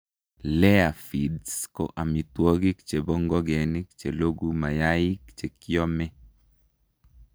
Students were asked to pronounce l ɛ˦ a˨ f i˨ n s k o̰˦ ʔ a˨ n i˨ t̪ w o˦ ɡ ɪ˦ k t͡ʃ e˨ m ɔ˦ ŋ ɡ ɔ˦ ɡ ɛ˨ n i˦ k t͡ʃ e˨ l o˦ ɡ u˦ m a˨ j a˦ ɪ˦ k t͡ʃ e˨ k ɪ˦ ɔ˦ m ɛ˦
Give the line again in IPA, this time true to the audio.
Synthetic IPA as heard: l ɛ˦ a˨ f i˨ d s k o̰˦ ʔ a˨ m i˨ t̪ w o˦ ɡ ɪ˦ k t͡ʃ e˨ b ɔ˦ ŋ ɡ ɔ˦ ɡ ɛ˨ n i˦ k t͡ʃ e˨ l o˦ ɡ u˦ m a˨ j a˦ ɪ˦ k t͡ʃ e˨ k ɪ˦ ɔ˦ m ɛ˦